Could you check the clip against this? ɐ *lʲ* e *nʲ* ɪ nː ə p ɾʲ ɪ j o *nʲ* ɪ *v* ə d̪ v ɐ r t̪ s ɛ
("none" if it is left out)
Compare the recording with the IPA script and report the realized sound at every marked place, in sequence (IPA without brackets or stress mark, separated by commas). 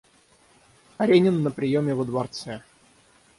ɾʲ, nʲ, mʲ, v